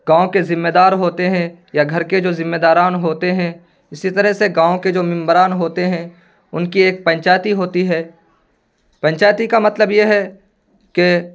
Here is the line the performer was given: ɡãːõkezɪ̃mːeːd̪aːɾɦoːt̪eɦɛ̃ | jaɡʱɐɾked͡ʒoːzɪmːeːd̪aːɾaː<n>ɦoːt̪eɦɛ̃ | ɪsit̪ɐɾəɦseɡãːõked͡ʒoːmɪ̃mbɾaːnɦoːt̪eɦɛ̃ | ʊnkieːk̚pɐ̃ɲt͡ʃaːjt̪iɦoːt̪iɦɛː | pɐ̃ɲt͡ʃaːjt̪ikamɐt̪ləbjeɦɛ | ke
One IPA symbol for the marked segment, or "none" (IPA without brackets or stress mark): n